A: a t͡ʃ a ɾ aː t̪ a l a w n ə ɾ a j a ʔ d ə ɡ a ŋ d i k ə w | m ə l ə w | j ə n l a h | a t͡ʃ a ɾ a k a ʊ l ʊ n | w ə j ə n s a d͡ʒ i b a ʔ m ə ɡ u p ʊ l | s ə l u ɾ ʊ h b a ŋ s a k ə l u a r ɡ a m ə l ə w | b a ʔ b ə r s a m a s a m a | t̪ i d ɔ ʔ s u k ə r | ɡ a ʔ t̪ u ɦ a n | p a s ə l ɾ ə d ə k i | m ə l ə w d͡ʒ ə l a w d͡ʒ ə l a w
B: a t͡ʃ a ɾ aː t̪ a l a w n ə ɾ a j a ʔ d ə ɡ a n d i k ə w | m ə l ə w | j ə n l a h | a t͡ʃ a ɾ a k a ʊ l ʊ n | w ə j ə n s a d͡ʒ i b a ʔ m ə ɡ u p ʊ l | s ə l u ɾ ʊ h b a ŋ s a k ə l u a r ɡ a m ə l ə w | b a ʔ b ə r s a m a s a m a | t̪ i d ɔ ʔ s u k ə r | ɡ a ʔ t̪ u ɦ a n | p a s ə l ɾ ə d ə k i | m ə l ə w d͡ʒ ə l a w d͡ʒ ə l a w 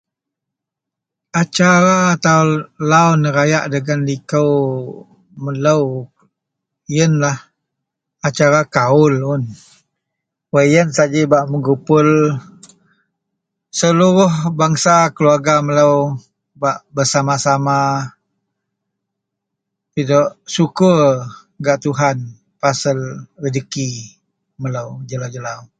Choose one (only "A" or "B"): B